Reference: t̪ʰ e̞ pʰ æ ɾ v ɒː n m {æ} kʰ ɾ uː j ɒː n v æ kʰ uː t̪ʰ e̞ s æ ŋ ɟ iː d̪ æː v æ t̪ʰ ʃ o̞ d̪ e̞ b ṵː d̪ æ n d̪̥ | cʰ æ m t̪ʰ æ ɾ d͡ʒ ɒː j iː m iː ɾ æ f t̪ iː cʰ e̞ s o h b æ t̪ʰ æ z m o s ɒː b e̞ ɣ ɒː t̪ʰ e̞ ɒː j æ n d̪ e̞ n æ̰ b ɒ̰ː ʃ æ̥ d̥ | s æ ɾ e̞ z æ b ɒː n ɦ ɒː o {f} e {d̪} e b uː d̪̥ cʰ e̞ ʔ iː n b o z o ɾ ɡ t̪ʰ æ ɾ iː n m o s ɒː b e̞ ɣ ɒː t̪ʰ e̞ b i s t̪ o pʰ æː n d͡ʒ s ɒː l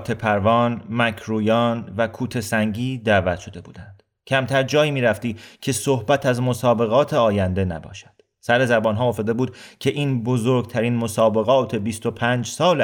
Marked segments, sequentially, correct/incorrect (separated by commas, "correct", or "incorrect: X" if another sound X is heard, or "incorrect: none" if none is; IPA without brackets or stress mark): correct, correct, correct